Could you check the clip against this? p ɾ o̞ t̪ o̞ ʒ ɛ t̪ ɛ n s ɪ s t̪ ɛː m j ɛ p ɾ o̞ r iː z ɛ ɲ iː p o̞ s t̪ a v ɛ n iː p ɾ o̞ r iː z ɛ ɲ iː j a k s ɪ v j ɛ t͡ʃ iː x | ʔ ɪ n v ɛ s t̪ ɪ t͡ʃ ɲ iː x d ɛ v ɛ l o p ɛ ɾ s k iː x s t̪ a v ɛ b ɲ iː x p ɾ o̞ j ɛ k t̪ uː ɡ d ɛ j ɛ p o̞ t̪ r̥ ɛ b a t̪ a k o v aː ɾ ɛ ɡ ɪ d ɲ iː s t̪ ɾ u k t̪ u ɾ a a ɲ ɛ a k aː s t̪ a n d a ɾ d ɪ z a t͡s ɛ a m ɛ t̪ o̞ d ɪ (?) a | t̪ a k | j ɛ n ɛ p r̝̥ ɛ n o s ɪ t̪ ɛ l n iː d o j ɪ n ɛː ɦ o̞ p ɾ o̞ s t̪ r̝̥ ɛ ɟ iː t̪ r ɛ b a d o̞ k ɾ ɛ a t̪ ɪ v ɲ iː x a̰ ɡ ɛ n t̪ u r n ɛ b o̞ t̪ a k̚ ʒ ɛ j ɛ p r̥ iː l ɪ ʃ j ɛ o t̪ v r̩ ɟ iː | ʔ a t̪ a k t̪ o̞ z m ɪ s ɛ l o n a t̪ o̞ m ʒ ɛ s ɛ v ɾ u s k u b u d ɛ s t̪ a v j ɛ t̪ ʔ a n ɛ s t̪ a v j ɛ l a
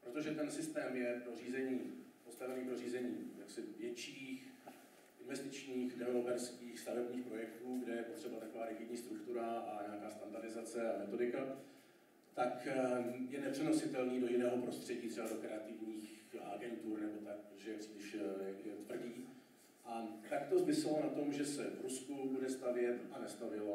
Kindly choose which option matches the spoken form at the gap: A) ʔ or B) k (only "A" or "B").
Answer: B